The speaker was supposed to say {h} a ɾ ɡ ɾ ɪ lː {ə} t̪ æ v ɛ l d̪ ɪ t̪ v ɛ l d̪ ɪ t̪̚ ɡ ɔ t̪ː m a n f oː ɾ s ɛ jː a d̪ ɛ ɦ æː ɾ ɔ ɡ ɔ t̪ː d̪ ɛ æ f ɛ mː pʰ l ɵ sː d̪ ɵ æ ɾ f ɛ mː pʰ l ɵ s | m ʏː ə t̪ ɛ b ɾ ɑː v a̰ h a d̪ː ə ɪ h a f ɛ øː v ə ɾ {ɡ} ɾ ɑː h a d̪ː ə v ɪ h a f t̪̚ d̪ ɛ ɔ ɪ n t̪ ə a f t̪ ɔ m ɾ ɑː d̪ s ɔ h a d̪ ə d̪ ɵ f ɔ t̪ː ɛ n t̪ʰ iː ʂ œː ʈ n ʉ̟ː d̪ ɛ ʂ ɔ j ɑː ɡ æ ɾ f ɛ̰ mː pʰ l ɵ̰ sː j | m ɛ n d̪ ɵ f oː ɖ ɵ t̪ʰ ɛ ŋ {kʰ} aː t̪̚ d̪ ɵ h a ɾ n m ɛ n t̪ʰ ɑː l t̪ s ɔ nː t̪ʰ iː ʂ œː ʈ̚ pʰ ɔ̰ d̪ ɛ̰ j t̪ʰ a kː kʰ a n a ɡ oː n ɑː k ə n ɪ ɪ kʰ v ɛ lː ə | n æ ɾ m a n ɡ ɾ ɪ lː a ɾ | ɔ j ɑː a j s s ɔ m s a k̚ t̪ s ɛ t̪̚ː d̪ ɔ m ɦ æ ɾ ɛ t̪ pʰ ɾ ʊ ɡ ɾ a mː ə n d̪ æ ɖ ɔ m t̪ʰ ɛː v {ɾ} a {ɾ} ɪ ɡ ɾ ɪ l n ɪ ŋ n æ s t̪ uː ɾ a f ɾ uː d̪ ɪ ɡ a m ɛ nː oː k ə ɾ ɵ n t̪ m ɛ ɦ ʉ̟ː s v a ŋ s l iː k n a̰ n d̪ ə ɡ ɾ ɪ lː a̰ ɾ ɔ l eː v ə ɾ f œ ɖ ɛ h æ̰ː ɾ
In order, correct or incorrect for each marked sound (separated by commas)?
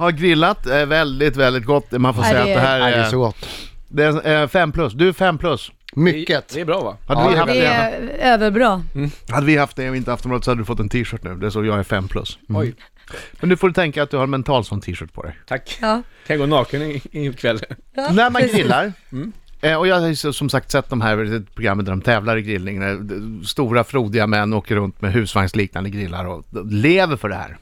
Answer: correct, incorrect, incorrect, incorrect, incorrect, correct